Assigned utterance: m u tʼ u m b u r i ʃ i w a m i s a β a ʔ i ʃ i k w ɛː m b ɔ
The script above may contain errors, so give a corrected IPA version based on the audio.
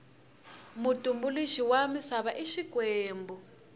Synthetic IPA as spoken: m u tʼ u m b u l i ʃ i w a m i s a β a ʔ i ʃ i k w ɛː m b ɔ

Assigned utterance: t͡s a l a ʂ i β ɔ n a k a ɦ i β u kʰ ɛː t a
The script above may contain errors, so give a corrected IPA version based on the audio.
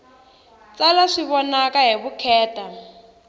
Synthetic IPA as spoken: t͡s a l a ʂ i β ɔ n a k a ɦ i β u kʰ ɛː t a

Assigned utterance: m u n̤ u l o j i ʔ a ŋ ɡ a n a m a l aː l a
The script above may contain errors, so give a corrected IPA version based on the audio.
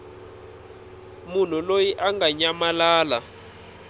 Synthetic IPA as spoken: m u n̤ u l o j i ʔ a ŋ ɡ a ɲ a m a l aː l a

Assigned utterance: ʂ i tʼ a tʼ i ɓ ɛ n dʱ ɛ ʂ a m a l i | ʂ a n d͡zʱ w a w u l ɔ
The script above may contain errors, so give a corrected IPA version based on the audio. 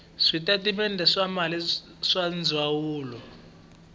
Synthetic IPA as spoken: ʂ i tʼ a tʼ i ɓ ɛ n dʱ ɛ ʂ a m a l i | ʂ a n d͡zʱ w a w uː l ɔ

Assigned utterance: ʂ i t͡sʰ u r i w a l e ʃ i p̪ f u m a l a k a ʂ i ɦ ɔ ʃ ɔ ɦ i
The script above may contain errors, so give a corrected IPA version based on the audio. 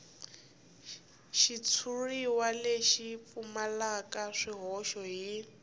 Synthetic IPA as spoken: ʃ i t͡sʰ u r i w a l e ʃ i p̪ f u m a l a k a ʂ i ɦ ɔ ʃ ɔ ɦ i

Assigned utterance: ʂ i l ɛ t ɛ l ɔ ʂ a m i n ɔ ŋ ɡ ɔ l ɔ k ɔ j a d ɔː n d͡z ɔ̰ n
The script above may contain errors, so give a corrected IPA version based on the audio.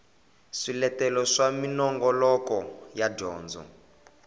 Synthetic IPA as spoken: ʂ i l ɛ t ɛ l ɔ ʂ a m i n ɔ ŋ ɡ ɔ l ɔ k ɔ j a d ɔː n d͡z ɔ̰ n

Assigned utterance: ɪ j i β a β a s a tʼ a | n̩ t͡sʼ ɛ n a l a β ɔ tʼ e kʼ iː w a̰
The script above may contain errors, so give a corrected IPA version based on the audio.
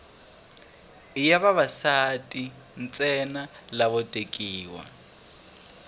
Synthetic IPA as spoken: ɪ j a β a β a s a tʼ i | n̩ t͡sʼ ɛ n a l a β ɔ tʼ e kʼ iː w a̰

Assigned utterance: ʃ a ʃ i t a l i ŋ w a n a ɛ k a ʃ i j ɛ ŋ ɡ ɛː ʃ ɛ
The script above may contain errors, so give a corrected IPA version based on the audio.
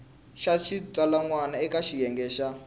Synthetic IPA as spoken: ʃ a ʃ i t a l a ŋ w a n a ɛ k a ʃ i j ɛ ŋ ɡ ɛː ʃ a

